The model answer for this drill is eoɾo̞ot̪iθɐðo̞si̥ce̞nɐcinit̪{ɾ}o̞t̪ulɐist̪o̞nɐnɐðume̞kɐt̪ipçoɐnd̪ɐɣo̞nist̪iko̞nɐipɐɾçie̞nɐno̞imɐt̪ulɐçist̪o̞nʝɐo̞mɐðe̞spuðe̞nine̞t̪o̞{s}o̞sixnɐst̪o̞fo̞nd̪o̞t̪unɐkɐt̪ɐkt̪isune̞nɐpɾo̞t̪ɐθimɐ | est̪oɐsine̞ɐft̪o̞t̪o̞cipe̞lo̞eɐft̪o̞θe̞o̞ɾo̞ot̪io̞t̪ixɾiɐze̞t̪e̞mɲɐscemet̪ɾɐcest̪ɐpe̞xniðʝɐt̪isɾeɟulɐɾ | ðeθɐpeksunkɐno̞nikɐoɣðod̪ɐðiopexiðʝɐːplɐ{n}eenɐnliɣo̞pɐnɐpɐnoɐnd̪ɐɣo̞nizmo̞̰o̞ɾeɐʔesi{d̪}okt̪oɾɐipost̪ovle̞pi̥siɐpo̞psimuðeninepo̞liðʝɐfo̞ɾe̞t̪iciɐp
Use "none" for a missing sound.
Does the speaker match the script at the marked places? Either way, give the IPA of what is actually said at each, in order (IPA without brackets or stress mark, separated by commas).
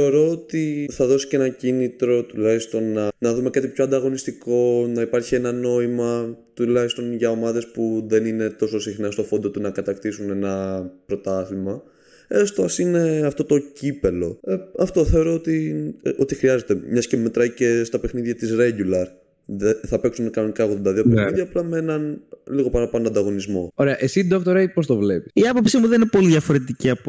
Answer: ɾ, s, m, d̪